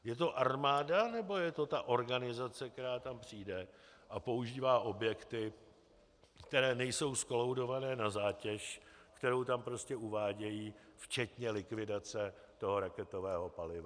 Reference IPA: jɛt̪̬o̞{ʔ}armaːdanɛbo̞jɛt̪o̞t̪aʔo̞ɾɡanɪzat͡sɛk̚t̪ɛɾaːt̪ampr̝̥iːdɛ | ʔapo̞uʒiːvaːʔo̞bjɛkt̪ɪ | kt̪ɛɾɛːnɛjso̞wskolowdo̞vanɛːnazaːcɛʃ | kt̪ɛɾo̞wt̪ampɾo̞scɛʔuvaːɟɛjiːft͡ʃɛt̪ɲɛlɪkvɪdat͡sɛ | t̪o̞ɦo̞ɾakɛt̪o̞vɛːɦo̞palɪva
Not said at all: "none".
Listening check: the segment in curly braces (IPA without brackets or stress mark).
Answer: ʔ